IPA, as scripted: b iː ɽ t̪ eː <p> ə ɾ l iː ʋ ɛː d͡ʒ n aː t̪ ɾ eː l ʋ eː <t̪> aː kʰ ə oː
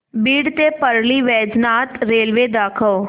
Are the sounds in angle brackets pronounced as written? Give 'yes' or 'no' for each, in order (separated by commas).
yes, no